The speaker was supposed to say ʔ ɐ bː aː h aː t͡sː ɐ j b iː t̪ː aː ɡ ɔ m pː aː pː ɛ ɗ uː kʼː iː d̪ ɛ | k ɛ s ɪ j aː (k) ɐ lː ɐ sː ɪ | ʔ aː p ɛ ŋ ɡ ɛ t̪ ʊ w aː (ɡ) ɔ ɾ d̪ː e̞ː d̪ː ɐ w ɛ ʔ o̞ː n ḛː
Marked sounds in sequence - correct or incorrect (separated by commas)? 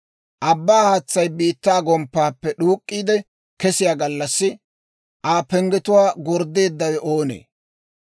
incorrect, correct